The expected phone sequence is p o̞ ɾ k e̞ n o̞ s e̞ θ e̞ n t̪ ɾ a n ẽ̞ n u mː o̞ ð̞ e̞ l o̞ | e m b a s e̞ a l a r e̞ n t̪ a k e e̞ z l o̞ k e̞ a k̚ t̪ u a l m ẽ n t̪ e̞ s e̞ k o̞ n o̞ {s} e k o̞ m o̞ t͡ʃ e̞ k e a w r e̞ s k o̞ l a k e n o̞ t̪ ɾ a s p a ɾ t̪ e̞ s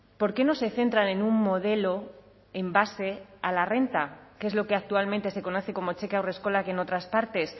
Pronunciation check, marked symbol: incorrect: θ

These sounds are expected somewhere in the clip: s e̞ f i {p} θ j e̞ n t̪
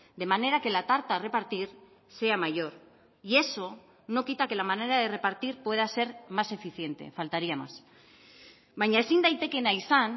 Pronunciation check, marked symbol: incorrect: none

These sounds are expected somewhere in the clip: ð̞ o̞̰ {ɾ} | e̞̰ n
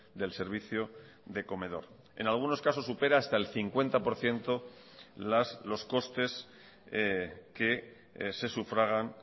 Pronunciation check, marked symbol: correct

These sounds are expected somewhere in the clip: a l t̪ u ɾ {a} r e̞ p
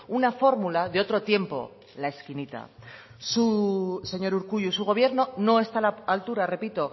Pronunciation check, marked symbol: correct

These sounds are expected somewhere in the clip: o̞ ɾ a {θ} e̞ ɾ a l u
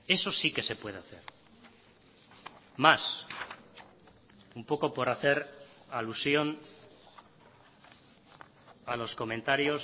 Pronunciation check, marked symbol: correct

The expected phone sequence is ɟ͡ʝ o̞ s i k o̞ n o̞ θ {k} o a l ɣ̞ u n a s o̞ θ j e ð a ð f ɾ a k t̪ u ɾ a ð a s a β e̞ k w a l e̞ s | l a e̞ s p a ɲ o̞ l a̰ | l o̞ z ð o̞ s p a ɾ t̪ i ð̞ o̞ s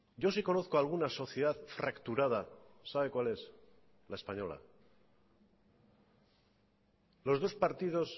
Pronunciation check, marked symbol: correct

